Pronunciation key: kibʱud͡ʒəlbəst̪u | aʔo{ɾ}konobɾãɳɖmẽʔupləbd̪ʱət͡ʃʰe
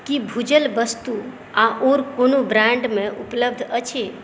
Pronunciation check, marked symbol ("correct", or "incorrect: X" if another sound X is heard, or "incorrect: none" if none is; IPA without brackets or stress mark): correct